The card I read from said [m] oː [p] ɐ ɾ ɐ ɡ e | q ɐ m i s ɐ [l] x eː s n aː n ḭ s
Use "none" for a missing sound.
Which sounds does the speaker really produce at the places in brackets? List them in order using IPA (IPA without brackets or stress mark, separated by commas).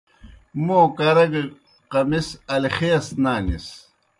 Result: m, k, l